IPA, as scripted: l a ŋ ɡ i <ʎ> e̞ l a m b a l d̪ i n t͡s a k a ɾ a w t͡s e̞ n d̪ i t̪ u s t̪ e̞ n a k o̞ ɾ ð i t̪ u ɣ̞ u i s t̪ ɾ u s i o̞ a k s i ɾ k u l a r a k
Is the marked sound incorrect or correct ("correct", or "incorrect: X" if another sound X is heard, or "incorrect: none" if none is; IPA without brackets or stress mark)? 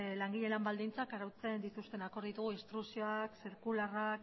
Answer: correct